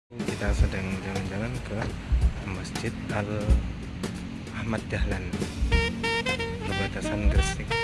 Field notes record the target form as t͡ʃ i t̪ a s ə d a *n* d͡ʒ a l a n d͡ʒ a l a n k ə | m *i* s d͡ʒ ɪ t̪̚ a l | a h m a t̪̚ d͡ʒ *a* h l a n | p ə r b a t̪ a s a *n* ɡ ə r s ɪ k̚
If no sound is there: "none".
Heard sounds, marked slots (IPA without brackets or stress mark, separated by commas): ŋ, a, a, n